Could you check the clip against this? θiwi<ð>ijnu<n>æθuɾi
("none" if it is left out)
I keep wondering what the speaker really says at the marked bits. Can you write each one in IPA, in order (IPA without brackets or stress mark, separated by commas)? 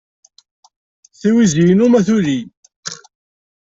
z, m